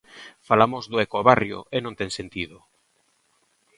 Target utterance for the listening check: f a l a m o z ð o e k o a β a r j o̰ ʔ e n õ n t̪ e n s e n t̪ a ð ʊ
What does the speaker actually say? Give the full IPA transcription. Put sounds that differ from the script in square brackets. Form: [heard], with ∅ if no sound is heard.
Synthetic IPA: f a l a m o z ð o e k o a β a r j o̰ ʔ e n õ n t̪ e [ŋ] s e n t̪ [i] ð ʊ